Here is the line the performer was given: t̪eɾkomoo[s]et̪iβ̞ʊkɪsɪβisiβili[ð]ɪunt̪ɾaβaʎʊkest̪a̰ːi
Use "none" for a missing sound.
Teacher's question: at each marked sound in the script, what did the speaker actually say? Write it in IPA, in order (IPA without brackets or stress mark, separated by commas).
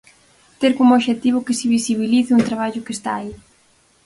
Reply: ʃ, θ